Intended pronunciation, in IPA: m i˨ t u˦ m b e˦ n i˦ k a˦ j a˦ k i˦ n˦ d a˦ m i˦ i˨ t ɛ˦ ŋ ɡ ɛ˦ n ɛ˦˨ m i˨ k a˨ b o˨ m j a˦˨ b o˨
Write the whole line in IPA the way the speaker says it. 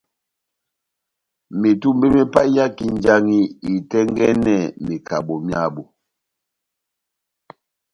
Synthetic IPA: m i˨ t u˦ m b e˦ m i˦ p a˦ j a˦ k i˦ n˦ d͡ʒ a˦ ŋ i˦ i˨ t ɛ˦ ŋ ɡ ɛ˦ n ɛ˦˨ m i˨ k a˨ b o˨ m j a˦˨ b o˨